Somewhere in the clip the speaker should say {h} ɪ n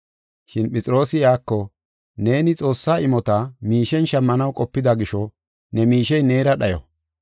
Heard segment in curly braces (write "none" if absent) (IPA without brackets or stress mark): ʃ